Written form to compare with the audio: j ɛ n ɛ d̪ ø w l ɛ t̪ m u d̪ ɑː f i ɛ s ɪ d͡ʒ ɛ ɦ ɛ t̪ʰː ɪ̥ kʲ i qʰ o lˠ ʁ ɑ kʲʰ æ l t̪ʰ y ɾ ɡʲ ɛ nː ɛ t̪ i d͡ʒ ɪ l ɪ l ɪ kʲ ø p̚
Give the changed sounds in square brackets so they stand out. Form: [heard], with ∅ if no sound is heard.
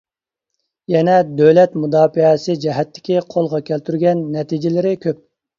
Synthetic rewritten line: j ɛ n ɛ d̪ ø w l ɛ t̪ m u d̪ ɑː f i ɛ s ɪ d͡ʒ ɛ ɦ ɛ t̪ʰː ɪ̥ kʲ i qʰ o lˠ ʁ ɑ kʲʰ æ l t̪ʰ y ɾ ɡʲ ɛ nː ɛ t̪ i d͡ʒ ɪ l ɪ [ɾ] ɪ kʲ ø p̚